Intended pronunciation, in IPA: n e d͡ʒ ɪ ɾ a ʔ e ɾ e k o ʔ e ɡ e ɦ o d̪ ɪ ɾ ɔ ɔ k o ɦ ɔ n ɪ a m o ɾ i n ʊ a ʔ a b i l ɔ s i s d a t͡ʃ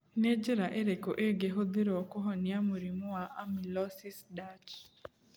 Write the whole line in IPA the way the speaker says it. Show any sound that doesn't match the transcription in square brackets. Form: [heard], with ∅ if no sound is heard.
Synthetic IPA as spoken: n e d͡ʒ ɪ ɾ a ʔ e ɾ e k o ʔ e ɡ e ɦ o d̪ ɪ ɾ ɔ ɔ k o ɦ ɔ n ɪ a m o ɾ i [m] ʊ a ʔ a [m] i l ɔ s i s d a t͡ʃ